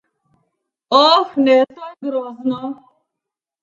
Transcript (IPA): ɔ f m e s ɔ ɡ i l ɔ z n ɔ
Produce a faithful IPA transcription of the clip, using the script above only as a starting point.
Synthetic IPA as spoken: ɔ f n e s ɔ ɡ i ɾ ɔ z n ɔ